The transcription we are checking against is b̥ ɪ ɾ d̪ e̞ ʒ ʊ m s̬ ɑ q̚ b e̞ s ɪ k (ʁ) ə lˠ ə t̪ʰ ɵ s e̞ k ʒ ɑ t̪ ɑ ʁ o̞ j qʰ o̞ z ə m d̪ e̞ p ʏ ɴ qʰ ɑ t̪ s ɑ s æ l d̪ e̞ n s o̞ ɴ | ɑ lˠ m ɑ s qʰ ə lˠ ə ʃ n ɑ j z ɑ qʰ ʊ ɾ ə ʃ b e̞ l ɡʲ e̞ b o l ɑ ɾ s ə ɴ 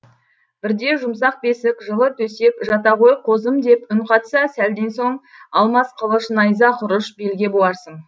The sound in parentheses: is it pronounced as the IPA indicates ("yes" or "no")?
no